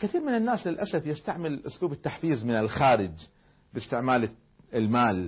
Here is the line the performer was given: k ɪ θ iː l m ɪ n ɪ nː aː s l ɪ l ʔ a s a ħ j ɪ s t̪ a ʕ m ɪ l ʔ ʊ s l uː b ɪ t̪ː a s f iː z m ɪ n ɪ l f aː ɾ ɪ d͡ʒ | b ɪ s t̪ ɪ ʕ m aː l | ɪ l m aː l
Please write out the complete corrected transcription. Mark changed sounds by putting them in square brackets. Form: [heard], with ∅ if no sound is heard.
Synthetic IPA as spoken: k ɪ θ iː [ɾ] m ɪ n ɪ nː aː s l ɪ l ʔ a s a [f] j ɪ s t̪ a ʕ m ɪ l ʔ ʊ s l uː b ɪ t̪ː a [ħ] f iː z m ɪ n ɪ l [x] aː ɾ ɪ d͡ʒ | b ɪ s t̪ ɪ ʕ m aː l | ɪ l m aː l